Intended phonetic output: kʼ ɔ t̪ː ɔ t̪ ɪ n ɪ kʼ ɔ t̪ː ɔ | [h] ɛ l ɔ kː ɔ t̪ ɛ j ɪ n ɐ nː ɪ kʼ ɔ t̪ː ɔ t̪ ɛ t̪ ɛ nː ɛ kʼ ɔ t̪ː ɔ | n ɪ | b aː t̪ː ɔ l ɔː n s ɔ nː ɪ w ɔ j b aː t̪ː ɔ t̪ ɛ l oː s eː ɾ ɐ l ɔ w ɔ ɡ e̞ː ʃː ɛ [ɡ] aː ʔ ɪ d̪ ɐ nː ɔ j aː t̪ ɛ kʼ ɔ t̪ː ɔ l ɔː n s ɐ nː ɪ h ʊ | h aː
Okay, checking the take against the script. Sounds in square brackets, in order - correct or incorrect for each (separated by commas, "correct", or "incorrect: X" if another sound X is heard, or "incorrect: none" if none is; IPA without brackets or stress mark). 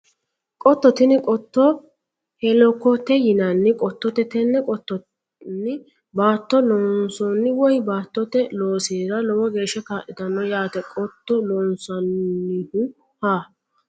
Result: correct, incorrect: k